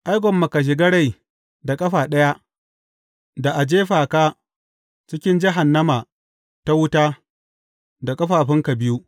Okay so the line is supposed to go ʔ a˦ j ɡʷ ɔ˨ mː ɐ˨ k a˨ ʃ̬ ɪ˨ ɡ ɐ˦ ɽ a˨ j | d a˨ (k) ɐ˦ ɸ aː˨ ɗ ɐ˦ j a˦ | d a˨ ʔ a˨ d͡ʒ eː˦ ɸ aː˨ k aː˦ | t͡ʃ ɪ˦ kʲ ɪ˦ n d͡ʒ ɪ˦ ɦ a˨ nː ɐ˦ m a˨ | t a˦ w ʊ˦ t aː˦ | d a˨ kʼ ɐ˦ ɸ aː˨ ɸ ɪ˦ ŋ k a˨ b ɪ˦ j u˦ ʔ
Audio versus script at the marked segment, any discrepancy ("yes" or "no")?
yes